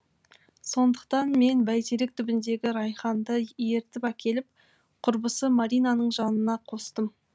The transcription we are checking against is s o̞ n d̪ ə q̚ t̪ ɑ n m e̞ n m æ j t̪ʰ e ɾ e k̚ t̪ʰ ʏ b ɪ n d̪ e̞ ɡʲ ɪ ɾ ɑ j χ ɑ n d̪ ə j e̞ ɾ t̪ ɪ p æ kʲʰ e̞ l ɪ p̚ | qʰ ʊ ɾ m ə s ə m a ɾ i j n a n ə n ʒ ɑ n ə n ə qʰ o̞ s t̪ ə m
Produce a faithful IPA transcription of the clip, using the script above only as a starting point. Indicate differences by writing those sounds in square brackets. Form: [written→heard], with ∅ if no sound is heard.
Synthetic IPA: s o̞ n d̪ ə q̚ t̪ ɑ n m e̞ n [m→b] æ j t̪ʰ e ɾ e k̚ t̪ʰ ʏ b ɪ n d̪ e̞ ɡʲ ɪ ɾ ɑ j χ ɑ n d̪ ə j e̞ ɾ t̪ ɪ p æ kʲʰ e̞ l ɪ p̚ | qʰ ʊ ɾ [m→b] ə s ə m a ɾ i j n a n ə [n→ɴ] ʒ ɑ n ə n [ə→ɑ] qʰ o̞ s t̪ ə m